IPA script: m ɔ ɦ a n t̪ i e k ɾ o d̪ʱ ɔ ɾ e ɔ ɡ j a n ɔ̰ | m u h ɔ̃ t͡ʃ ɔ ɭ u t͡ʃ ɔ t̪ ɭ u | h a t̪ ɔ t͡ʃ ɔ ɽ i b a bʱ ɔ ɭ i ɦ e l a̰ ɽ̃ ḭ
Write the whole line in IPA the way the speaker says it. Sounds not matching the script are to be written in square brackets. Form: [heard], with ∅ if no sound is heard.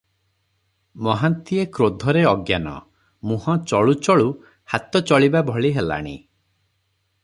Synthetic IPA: m ɔ ɦ a n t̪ i e k ɾ o d̪ʱ ɔ ɾ e ɔ ɡ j a n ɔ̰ | m u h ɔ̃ t͡ʃ ɔ ɭ u t͡ʃ ɔ [∅] ɭ u | h a t̪ ɔ t͡ʃ ɔ [ɭ] i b a bʱ ɔ ɭ i ɦ e l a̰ ɽ̃ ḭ